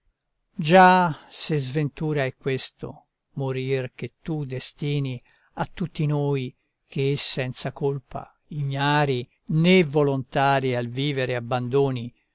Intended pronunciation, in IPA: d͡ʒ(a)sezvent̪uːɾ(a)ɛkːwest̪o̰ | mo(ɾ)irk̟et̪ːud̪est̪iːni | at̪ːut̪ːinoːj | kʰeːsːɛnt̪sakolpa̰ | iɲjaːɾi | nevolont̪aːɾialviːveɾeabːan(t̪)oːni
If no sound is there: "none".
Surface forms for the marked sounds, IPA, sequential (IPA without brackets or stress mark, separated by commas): a, a, ɾ, d̪